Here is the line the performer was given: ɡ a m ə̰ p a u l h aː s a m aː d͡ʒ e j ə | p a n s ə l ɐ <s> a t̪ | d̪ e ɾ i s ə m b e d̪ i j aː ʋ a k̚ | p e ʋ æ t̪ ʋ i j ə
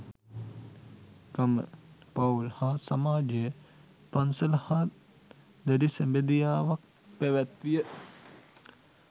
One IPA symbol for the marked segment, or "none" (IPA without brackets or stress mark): h